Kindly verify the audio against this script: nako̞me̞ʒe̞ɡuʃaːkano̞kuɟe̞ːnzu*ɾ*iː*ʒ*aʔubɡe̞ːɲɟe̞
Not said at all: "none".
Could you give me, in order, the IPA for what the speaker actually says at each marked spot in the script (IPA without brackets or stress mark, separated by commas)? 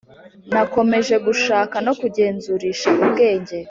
ɾ, ʃ